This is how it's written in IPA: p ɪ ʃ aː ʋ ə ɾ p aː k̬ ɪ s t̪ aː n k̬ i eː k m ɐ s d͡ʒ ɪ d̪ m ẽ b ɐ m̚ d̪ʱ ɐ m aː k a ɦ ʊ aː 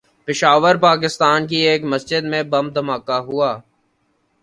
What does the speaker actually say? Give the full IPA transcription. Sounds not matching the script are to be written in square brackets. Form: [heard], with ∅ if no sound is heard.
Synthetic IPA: p ɪ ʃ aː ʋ ə ɾ p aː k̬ ɪ s t̪ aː n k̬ i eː k m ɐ s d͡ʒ ɪ d̪ m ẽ b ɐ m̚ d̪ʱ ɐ m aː k a ɦ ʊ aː